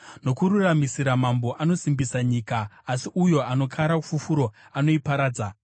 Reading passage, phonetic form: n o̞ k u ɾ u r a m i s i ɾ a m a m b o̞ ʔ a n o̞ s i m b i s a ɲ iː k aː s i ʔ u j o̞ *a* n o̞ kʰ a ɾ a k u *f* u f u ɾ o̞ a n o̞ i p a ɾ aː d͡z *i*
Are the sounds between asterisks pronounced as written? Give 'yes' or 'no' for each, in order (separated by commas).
yes, yes, no